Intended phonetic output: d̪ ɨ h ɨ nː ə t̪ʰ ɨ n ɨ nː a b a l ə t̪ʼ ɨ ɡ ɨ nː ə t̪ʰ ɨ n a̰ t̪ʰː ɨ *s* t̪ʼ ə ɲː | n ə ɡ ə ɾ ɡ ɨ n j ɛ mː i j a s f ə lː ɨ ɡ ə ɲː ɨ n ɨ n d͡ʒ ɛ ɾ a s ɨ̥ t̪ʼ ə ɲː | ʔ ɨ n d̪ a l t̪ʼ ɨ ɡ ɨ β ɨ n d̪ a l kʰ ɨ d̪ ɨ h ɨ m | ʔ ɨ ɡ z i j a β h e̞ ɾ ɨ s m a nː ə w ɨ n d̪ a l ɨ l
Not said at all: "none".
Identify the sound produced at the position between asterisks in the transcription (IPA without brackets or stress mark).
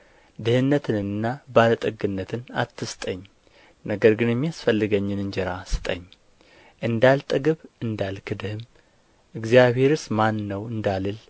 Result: s